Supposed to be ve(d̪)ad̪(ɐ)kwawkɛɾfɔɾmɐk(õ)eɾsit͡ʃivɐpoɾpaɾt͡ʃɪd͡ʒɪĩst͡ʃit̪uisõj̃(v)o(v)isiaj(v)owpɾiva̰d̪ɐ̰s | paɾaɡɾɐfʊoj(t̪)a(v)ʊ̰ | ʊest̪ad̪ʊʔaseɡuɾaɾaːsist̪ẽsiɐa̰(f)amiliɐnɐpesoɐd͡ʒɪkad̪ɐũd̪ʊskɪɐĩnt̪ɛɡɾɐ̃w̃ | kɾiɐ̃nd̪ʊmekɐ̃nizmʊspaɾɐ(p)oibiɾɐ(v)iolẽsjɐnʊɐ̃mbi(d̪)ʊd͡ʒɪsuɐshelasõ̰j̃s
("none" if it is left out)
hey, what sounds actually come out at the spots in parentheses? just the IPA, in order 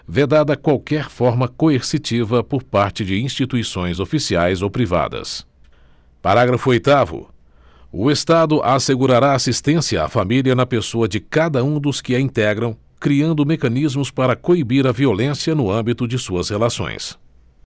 d̪, ɐ, o, z, f, z, t̪, v, f, k, v, t̪

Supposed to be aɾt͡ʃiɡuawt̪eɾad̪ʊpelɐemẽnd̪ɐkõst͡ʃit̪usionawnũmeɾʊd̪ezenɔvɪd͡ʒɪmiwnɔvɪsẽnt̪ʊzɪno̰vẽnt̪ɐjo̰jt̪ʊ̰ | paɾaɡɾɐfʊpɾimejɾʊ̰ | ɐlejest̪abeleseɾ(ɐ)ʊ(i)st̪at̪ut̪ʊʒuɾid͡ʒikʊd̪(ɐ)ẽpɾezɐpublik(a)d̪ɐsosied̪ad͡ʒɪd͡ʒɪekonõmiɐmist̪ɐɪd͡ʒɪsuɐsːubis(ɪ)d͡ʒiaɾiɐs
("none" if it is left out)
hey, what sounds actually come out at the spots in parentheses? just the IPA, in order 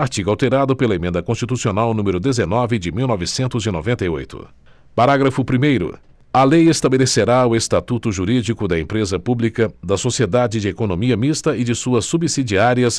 a, e, ɐ, ɐ, i

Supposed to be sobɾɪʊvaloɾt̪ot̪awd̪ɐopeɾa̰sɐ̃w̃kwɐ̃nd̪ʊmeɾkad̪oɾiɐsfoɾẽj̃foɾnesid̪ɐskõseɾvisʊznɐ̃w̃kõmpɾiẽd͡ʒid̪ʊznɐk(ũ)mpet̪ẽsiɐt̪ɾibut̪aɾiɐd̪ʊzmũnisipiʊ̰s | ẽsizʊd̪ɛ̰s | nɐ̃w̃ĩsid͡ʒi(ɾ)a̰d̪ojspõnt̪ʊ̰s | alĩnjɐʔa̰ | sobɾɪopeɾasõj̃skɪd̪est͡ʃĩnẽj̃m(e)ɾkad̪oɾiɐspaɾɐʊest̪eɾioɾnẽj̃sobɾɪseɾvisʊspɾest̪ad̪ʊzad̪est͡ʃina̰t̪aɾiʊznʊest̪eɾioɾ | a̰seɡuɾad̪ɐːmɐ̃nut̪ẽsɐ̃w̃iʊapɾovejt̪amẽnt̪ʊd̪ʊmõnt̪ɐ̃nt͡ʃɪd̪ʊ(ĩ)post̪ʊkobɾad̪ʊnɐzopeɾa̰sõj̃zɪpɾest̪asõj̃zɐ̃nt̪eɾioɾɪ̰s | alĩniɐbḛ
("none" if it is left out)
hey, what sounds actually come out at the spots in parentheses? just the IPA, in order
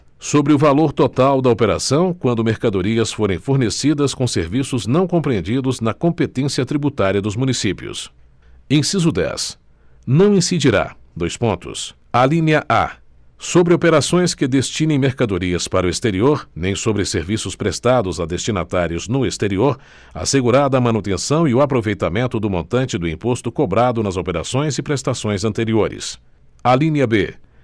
õ, ɾ, e, ĩ

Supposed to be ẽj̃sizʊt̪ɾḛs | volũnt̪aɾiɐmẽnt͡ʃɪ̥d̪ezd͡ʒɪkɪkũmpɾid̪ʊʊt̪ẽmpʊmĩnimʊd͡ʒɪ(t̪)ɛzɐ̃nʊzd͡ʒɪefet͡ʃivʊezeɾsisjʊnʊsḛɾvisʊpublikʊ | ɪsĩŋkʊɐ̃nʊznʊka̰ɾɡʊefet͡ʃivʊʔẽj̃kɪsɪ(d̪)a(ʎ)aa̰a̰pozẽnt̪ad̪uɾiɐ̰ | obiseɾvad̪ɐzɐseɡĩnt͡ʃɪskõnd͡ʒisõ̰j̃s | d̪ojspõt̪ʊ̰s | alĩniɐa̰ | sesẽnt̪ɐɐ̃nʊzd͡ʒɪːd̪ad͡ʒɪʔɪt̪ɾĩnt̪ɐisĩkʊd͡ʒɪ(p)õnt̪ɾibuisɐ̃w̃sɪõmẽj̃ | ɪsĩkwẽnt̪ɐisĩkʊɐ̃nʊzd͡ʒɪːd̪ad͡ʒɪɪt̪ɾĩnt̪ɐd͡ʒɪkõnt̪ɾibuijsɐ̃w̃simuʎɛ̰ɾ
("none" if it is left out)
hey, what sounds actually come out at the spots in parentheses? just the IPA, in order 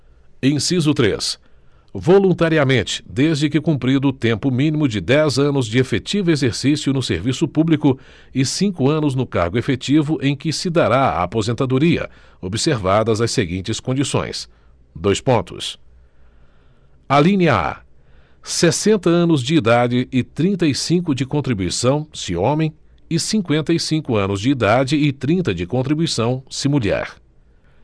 d̪, d̪, ɾ, k

